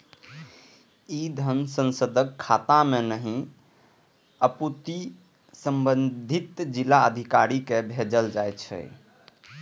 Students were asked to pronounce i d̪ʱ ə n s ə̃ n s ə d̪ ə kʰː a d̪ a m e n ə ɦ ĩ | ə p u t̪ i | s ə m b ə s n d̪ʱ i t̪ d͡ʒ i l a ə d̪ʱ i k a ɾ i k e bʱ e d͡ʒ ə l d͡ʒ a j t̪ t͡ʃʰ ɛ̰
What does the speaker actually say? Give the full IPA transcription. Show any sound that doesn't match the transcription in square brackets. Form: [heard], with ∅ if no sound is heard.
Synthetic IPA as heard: i d̪ʱ ə n s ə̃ n s ə d̪ ə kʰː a [t̪] a m e n ə ɦ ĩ | ə p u t̪ i | s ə m b ə [∅] n d̪ʱ i t̪ d͡ʒ i l a ə d̪ʱ i k a ɾ i k e bʱ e d͡ʒ ə l d͡ʒ a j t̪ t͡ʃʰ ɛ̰